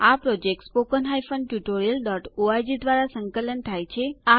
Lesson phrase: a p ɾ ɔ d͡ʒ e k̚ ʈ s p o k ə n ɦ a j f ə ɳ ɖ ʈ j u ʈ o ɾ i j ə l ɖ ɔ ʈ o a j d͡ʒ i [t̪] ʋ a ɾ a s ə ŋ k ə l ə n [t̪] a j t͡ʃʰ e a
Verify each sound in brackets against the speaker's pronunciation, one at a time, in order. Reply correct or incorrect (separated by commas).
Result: incorrect, incorrect